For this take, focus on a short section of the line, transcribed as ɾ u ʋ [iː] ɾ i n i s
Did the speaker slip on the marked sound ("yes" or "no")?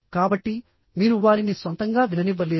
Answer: yes